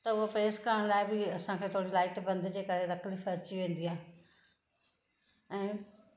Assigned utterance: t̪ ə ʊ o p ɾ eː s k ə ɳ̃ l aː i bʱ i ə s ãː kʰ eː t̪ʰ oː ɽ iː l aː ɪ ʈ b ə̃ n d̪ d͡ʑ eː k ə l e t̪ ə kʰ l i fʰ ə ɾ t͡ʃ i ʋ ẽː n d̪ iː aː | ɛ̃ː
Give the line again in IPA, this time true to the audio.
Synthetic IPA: t̪ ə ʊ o p ɾ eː s k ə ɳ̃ l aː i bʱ i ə s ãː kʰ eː t̪ʰ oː ɽ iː l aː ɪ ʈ b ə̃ n d̪ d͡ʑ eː k ə ɾ e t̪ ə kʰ l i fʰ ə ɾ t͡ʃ i ʋ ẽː n d̪ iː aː | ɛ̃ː